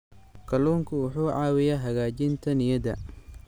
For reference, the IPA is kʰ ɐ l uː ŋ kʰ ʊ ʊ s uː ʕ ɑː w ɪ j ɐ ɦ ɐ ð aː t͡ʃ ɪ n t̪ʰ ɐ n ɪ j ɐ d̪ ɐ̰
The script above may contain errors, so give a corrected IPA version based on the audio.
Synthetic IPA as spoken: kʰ ɐ l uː ŋ kʰ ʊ ʊ ħ uː ʕ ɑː w ɪ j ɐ ɦ ɐ ɣ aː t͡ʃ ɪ n t̪ʰ ɐ n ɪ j ɐ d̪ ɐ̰